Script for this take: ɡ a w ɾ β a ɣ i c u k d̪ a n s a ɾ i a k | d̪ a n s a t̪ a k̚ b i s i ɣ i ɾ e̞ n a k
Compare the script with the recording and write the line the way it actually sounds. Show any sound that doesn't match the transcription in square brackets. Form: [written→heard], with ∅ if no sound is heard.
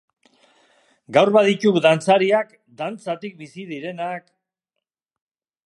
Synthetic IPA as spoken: ɡ a w ɾ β a [ɣ→ð] i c u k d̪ a n [s→t͡s] a ɾ i a k | d̪ a n [s→t͡s] a t̪ [a→i] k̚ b i s i [ɣ→ð] i ɾ e̞ n a k